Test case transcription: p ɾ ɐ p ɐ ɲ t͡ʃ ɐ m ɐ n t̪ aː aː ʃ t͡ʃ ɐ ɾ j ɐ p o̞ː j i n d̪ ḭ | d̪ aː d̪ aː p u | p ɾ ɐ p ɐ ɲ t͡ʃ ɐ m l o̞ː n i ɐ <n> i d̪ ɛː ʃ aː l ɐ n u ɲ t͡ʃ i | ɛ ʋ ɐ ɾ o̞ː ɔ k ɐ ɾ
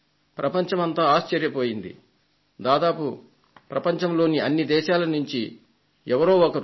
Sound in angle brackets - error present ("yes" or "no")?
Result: yes